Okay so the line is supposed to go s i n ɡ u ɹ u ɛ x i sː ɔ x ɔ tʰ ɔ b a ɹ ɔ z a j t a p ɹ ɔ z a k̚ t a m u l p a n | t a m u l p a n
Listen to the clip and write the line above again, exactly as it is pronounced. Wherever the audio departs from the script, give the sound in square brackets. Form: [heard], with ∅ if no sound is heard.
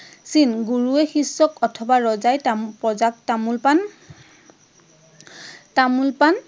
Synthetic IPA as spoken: s i n ɡ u ɹ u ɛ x i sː ɔ [k] ɔ tʰ ɔ b a ɹ ɔ z a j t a p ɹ ɔ z a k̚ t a m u l p a n | t a m u l p a n